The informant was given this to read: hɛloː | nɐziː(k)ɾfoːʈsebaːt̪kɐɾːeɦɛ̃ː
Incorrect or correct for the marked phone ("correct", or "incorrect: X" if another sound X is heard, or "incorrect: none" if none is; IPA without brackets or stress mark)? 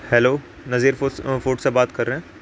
incorrect: none